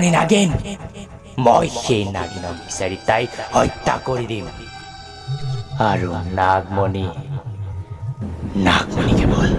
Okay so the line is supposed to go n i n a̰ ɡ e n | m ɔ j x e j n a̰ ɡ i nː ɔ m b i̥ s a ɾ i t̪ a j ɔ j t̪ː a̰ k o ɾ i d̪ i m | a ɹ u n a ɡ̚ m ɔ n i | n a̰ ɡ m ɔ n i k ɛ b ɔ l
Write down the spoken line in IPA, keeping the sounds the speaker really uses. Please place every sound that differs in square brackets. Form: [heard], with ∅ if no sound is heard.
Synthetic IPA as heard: n i n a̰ ɡ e n | m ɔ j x e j n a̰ ɡ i [n] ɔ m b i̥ s a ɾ i t̪ a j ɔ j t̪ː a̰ k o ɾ i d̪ i m | a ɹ u n a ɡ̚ m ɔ n i | n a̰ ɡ m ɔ n i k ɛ b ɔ l